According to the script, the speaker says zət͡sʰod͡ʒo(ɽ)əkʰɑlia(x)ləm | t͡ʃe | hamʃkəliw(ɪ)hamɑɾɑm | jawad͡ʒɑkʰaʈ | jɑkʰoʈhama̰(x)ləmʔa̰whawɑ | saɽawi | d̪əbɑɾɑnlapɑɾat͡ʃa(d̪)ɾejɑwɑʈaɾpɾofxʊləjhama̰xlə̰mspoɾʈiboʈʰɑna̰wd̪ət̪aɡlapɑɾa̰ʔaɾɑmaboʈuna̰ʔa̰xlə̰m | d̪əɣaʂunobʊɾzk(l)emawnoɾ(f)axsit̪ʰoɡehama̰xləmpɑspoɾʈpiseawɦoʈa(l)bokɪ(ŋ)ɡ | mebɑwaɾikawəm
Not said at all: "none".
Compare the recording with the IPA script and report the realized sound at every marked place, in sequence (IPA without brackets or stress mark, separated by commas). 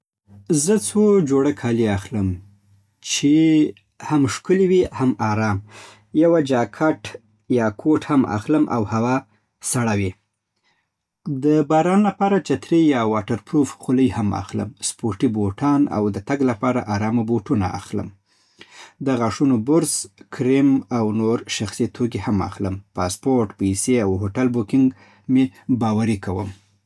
ɽ, x, i, x, t̪, ɾ, ʃ, l, ŋ